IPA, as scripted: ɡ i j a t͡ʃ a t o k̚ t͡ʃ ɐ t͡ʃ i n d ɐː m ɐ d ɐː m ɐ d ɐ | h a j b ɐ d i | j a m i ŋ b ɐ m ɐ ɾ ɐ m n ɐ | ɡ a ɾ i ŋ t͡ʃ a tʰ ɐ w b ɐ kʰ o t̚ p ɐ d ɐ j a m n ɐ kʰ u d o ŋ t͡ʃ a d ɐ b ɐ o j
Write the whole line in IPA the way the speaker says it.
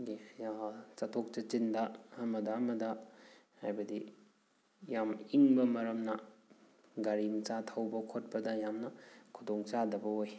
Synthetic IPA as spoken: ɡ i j a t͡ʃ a tʰ o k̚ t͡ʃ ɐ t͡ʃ i n d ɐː m ɐ d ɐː m ɐ d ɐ | h a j b ɐ d i | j a m i ŋ b ɐ m ɐ ɾ ɐ m n ɐ | ɡ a ɾ i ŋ t͡ʃ a tʰ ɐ w b ɐ kʰ o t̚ p ɐ d ɐ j a m n ɐ kʰ u d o ŋ t͡ʃ a d ɐ b ɐ o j